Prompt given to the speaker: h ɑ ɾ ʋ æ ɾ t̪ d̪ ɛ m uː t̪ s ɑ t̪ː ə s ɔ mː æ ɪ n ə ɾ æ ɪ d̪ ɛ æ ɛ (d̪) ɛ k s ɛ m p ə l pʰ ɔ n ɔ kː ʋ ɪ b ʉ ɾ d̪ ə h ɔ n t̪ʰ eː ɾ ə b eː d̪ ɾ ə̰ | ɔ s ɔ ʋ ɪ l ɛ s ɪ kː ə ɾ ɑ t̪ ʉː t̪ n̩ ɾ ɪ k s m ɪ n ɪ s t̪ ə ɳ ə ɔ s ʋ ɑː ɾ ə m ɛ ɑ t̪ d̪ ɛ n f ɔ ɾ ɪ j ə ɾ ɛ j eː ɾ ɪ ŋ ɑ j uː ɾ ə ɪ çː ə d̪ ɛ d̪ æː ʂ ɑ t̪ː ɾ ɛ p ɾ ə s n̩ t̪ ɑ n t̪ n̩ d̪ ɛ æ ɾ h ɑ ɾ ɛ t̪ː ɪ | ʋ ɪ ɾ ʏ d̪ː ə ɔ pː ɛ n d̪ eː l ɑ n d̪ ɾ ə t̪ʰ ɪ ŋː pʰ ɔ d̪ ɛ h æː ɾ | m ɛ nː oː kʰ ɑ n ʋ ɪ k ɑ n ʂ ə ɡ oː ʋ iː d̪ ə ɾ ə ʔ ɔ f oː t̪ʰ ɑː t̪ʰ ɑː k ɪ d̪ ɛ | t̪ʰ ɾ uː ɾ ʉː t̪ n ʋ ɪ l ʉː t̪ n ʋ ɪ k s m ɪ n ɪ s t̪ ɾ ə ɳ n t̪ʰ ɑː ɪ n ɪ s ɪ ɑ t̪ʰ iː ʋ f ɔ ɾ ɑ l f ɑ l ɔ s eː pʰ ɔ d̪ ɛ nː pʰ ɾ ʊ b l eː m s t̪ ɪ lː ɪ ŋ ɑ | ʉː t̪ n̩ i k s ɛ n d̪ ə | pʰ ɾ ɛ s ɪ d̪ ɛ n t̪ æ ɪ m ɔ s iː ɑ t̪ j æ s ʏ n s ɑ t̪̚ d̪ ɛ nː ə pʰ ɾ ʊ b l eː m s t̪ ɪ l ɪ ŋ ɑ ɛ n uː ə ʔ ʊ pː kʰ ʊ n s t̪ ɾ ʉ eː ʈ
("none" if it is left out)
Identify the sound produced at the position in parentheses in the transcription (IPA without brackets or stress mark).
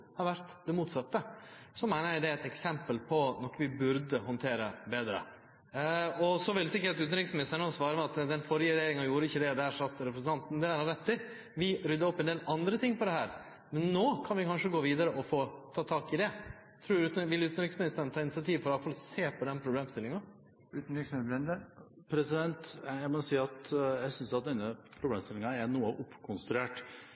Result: t̪